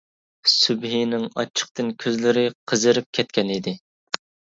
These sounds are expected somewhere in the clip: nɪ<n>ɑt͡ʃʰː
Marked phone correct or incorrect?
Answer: incorrect